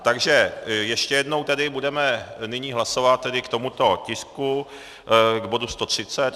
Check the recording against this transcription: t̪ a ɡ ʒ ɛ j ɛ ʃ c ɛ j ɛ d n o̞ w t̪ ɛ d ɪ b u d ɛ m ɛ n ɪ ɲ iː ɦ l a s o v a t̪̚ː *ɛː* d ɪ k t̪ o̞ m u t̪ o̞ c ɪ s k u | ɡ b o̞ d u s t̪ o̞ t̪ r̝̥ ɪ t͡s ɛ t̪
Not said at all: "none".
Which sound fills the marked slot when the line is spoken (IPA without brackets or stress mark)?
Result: ɛ